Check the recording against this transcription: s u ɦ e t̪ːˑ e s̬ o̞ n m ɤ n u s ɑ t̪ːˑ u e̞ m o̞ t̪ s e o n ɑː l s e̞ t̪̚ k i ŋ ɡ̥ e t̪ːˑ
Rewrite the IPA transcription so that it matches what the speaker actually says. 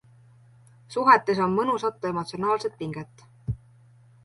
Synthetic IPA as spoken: s u ɦ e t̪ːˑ e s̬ o̞ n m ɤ n u s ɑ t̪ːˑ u e̞ m o̞ t̪ s i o n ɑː l s e̞ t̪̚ p i ŋ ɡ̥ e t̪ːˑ